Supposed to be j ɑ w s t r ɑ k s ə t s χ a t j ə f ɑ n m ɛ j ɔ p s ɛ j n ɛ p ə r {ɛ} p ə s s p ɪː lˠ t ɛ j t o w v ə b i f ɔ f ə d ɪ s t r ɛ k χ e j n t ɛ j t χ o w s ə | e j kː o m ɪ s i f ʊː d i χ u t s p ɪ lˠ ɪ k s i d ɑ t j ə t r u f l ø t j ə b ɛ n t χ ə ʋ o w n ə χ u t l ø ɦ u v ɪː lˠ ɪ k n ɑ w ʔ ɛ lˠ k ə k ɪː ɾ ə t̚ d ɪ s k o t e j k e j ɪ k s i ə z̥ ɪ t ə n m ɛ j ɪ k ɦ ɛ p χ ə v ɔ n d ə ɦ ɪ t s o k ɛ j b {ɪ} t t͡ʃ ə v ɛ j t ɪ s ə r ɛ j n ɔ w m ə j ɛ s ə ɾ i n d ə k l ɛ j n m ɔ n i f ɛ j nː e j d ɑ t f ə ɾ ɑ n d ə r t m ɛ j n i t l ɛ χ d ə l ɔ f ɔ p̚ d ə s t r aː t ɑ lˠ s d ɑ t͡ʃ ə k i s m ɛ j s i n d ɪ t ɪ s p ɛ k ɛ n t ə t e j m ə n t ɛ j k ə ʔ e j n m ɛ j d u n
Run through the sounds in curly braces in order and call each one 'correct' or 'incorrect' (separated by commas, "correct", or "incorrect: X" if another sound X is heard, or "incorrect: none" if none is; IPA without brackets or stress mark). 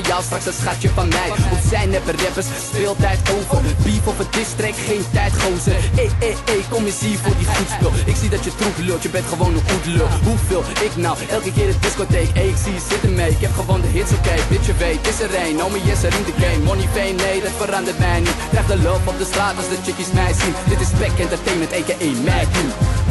correct, correct